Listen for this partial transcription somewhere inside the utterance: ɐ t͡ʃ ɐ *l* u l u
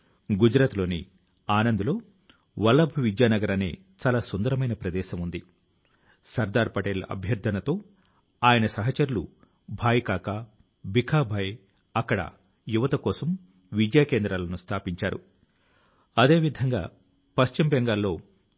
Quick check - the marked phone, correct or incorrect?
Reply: incorrect